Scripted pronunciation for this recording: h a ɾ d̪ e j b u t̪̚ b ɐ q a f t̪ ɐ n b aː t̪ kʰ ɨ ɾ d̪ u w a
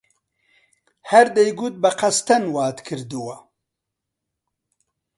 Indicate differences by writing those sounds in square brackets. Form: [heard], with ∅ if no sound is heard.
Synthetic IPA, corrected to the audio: h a ɾ d̪ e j [ɡ] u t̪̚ b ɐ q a [s] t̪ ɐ n [w] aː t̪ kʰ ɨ ɾ d̪ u w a

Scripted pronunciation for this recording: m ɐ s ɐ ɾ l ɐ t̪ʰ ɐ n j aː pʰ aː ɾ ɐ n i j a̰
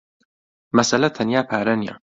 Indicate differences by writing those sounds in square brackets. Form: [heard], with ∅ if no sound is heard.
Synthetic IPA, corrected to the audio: m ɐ s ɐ [∅] l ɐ t̪ʰ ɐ n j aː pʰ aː ɾ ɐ n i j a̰

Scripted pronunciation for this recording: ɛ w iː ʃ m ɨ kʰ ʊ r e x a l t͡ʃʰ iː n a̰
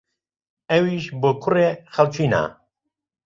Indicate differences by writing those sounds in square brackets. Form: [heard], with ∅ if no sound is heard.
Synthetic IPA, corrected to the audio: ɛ w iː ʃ [b] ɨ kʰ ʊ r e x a l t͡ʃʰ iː n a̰

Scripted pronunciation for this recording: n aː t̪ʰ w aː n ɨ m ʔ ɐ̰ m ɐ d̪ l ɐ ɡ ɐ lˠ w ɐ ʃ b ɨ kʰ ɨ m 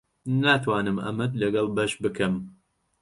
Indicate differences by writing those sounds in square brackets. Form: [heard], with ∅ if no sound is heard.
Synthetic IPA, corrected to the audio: n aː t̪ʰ w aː n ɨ m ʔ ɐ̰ m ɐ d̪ l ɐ ɡ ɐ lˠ [b] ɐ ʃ b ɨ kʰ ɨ m

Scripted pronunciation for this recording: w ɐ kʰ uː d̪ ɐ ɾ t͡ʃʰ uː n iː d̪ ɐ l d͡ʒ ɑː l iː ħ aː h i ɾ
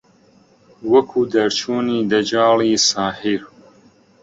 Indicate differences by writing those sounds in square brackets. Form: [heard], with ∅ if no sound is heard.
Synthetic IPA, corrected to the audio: w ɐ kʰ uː d̪ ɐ ɾ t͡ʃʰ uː n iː d̪ ɐ [∅] d͡ʒ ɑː l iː [s] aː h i ɾ

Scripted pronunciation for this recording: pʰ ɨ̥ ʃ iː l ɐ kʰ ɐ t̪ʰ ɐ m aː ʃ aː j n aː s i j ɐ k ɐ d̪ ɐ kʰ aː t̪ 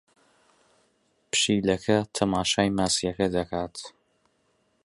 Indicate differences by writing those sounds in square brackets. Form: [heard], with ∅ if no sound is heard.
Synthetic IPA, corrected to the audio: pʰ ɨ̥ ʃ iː l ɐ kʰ ɐ t̪ʰ ɐ m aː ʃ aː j [m] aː s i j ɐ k ɐ d̪ ɐ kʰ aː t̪

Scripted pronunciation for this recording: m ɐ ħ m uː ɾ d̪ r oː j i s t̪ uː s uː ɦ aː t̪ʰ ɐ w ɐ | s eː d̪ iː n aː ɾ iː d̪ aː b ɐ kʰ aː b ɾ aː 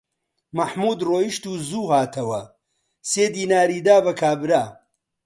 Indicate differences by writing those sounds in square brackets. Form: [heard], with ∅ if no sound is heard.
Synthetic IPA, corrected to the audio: m ɐ ħ m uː [∅] d̪ r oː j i [ʃ] t̪ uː [z] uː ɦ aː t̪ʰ ɐ w ɐ | s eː d̪ iː n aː ɾ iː d̪ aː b ɐ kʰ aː b ɾ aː

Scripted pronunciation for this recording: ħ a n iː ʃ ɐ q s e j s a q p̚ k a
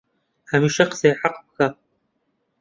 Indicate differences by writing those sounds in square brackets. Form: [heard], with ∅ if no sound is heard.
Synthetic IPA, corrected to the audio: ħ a [m] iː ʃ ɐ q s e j [ħ] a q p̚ [x] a

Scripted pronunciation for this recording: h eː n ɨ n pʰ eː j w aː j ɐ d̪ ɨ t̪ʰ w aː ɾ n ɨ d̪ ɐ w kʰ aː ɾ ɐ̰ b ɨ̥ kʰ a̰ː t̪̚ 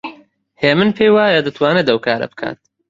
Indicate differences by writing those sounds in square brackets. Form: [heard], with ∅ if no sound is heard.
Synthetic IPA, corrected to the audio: h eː [m] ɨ n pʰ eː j w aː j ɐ d̪ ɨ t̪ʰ w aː [∅] n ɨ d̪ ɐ w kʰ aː ɾ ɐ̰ b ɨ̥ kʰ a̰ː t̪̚

